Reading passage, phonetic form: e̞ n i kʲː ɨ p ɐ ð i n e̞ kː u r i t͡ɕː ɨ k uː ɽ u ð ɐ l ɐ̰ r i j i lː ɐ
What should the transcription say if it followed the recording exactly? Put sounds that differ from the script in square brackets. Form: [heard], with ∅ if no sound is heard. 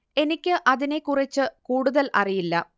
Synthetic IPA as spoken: e̞ n i kʲː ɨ [ʔ] ɐ ð i n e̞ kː u r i t͡ɕː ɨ k uː ɽ u ð ɐ l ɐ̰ r i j i lː ɐ